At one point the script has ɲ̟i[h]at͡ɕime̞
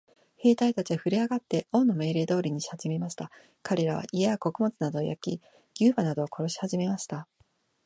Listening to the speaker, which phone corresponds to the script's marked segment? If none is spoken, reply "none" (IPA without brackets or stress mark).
ɕ